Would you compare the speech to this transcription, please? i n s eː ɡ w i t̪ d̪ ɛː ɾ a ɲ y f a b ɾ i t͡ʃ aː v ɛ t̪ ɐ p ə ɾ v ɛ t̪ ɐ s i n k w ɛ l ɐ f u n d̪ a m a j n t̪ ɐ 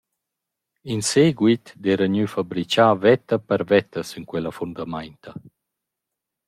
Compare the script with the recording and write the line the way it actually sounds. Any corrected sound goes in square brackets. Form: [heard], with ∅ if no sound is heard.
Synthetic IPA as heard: i n s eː ɡ w i t̪ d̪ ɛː ɾ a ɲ y f a b ɾ i t͡ʃ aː v ɛ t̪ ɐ p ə ɾ v ɛ t̪ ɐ s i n k w ɛ l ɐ f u n d̪ a m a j n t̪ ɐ